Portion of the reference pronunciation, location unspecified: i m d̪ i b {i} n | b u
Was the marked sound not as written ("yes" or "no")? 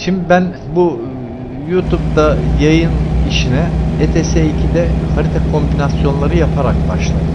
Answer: yes